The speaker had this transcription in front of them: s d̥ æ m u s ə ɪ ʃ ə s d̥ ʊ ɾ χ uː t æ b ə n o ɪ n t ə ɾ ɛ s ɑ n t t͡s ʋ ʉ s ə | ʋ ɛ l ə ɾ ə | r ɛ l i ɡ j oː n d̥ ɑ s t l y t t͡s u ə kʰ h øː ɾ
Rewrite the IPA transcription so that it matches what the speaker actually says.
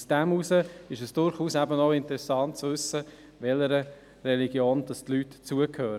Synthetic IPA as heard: s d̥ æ m u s ə ɪ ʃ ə s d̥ ʊ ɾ χ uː s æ b ə n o ɪ n t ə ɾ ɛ s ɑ n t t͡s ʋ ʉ s ə | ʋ ɛ l ə ɾ ə | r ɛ l i ɡ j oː n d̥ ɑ s t l y t t͡s u ə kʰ h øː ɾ

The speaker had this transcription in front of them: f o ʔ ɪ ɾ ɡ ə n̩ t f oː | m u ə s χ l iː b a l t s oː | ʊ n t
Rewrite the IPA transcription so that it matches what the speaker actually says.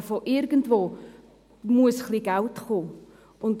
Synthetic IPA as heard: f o ʔ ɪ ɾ ɡ ə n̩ t v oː | m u ə s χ l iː ɡ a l t χ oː | ʊ n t

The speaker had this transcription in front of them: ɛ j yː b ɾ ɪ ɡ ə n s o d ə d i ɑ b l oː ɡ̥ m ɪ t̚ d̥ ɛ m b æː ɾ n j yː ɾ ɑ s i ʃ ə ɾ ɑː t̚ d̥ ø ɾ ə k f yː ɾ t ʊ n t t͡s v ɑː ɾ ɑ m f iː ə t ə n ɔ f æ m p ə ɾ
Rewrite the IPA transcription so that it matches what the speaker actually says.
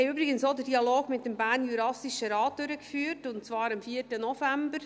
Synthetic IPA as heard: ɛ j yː b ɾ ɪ ɡ ə n s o d ə d i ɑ l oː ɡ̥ m ɪ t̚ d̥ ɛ m b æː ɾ n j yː ɾ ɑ s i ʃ ə ɾ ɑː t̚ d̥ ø ɾ ə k f yː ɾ t ʊ n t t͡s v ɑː ɾ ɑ m f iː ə t ə n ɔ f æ m b ə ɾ

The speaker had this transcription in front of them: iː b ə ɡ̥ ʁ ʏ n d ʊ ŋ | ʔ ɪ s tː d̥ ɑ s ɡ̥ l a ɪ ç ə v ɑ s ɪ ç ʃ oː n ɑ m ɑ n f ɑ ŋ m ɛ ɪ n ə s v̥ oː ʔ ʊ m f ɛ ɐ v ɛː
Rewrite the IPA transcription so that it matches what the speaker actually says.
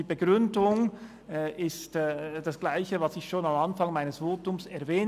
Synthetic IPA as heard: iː b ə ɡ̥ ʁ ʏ n d ʊ ŋ | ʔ ɪ s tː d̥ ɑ s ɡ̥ l a ɪ ç ə v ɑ s ɪ ç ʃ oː n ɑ m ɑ n f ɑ ŋ m a ɪ n ə s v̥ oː t ʊ m s ɛ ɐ v ɛː

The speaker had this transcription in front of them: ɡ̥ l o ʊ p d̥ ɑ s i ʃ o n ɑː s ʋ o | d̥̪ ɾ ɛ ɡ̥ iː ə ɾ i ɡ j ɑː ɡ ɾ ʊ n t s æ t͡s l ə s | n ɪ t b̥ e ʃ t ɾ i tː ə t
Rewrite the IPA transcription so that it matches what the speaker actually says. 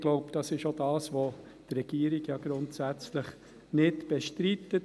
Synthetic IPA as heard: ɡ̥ l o ʊ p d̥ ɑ s ɪ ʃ o d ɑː s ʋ o | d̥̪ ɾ ɛ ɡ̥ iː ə ɾ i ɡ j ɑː ɡ ɾ ʊ n t s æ t͡s l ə χ | n ɪ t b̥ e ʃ t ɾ i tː ə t

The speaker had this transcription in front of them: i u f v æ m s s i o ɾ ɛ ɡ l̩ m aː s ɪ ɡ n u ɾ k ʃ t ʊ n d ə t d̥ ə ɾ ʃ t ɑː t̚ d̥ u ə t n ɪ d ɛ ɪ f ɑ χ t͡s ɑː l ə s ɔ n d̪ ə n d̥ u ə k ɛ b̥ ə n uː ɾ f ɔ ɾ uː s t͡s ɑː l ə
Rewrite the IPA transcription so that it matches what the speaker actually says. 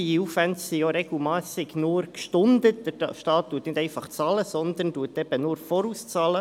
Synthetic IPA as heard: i u f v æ n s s i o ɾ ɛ ɡ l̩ m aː s ɪ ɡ n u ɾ k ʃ t ʊ n d ə t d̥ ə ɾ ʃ t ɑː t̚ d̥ u ə t n ɪ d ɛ ɪ f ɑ χ t͡s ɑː l ə s ɔ n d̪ ə n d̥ u ə t ɛ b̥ ə n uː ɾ f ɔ ɾ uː s t͡s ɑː l ə

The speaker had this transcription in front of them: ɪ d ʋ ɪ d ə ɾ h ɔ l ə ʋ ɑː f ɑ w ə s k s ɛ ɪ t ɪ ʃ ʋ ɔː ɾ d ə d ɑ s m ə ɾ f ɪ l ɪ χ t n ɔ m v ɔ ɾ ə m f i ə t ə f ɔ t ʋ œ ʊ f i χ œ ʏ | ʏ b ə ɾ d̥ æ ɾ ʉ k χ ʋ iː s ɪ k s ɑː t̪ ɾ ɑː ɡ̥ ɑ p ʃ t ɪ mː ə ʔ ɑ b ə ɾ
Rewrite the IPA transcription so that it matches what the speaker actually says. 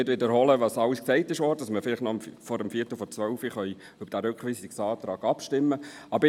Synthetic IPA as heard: ɪ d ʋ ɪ d ə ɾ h ɔ l ə ʋ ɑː s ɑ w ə s k s ɛ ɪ t ɪ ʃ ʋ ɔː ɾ d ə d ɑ s m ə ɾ f ɪ l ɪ χ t n ɔ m f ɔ ɾ ə m f i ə t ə f ɔ t͡s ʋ œ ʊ f i χ œ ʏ | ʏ b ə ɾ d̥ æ ɾ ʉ k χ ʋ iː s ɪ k s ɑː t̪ ɾ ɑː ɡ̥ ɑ p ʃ t ɪ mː ə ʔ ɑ b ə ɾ

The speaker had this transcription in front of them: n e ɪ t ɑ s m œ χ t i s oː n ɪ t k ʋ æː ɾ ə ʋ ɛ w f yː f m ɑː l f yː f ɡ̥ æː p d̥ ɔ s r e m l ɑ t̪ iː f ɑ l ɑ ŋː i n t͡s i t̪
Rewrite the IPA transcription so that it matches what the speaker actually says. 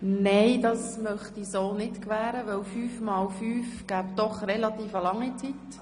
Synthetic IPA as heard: n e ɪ d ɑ s m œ χ t i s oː n ɪ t k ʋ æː ɾ ə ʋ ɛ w f yː f m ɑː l f yː f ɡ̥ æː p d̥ ɔ χ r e l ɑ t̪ iː f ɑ l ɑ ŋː i t͡s i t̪

